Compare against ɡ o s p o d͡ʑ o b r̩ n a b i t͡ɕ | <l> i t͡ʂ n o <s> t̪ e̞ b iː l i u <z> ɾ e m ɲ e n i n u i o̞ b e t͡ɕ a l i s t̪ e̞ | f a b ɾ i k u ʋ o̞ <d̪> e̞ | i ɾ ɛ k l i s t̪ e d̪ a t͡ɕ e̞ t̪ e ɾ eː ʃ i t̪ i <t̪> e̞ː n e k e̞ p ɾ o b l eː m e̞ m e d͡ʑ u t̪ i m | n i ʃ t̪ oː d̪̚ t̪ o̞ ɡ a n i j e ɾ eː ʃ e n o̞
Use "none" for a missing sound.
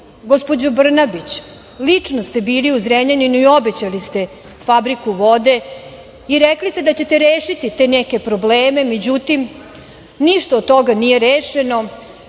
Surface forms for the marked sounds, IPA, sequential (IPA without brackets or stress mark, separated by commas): l, s, z, d̪, t̪